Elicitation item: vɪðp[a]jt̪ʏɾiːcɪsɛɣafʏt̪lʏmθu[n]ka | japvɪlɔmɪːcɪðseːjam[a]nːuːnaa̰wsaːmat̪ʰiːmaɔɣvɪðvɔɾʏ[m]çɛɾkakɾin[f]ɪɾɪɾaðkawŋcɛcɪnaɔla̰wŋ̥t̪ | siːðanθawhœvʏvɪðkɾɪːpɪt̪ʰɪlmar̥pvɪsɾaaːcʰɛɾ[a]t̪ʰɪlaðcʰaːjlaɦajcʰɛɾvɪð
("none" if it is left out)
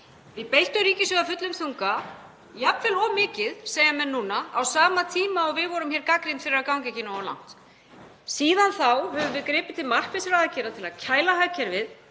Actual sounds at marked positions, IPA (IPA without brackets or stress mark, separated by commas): e, ŋ, ɛ, m, f, a